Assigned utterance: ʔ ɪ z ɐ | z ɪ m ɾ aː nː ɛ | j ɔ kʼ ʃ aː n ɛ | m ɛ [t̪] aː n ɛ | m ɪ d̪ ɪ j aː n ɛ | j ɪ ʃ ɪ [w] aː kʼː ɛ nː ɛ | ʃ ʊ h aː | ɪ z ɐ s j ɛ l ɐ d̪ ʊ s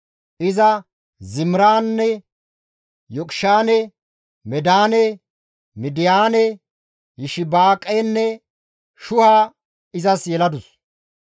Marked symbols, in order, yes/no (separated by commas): no, no